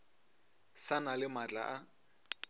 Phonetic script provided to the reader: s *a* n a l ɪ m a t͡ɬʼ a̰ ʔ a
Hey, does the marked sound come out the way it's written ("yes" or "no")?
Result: yes